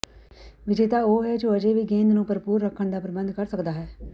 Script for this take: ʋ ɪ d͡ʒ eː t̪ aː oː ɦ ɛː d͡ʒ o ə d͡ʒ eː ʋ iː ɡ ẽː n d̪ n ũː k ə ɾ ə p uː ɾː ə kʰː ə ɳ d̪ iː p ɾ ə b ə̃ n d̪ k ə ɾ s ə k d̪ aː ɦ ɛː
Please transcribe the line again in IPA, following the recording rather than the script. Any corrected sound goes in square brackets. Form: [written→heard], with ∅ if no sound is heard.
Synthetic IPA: ʋ ɪ d͡ʒ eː t̪ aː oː ɦ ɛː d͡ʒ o ə d͡ʒ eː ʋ iː ɡ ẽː n d̪ n ũː [k→p] ə ɾ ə p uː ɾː ə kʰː ə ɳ d̪ [iː→aː] p ɾ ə b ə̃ n d̪ k ə ɾ s ə k d̪ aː ɦ ɛː